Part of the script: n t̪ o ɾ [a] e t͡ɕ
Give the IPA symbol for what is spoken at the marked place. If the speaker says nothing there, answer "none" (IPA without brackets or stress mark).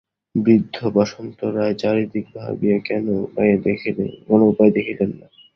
a